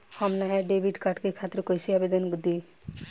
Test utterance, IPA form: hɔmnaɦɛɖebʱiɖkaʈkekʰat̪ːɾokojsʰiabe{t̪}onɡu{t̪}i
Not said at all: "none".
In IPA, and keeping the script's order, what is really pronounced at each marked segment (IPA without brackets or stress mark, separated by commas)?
d̪, d̪